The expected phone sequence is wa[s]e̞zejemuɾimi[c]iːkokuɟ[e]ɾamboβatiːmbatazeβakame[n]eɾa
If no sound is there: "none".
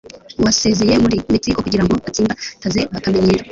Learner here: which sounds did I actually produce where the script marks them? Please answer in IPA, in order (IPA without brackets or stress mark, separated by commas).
s, t, i, ɲ